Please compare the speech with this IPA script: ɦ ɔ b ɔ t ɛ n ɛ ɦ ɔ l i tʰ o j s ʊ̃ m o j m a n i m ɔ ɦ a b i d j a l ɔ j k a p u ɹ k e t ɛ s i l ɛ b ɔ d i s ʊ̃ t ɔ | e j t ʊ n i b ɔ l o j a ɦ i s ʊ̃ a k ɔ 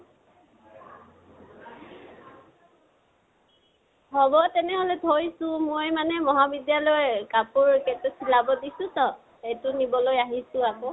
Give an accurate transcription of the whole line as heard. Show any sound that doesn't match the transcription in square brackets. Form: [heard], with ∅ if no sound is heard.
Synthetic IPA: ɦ ɔ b ɔ t ɛ n ɛ ɦ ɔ l [ɛ] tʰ o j s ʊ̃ m o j m a n [ɛ] m ɔ ɦ a b i d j a l ɔ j k a p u ɹ k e t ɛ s i l [a] b ɔ d i s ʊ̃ t ɔ | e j t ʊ n i b ɔ l o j a ɦ i s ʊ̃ a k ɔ